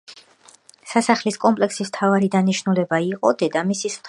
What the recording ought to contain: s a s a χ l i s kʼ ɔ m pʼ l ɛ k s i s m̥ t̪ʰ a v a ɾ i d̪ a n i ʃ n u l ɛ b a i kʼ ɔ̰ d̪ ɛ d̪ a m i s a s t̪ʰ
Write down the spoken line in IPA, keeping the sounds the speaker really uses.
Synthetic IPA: s a s a χ l i s kʼ ɔ m pʼ l ɛ k s i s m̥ t̪ʰ a v a ɾ i d̪ a n i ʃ n u l ɛ b a i qʼ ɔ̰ d̪ ɛ d̪ a m i s i s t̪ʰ